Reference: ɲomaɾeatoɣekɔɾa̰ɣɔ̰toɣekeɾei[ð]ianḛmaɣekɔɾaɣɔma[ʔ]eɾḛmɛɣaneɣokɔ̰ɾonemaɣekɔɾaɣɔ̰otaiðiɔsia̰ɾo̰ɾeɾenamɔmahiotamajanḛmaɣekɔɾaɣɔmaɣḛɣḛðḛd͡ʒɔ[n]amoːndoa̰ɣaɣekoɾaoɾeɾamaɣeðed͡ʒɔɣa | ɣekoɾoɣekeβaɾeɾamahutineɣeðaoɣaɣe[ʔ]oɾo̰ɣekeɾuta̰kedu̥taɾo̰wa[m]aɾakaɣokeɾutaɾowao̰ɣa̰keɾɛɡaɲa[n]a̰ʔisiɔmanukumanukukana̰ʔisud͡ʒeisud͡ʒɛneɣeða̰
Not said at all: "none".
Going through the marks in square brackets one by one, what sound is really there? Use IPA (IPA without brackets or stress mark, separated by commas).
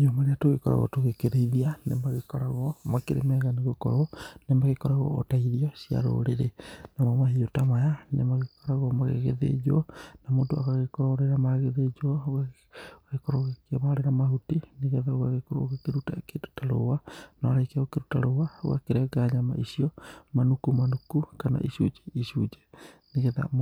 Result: ð, k, n, k, n, m